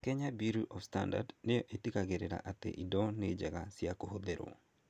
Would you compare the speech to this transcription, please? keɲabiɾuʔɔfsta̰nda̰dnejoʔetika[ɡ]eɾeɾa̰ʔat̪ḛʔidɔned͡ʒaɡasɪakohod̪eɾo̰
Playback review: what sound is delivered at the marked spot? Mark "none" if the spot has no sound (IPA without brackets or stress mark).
ɡ